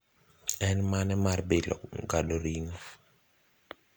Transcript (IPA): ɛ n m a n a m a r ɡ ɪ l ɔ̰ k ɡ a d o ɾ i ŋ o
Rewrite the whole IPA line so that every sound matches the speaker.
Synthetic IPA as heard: ɛ n m a n ɛ m a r b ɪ l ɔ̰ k ɡ a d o ɾ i ŋ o